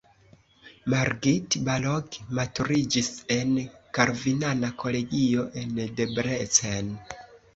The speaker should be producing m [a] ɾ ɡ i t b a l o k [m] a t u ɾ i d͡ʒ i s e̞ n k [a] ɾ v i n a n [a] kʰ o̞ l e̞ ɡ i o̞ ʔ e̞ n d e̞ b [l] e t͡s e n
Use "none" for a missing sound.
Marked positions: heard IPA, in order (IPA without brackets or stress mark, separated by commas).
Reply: a, m, a, a, ɾ